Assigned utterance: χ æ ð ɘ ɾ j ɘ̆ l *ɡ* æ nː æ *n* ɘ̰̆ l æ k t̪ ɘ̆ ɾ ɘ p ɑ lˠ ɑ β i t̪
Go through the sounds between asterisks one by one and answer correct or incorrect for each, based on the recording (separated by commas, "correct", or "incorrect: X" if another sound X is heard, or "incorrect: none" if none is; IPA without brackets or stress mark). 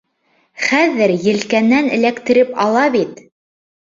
incorrect: k, correct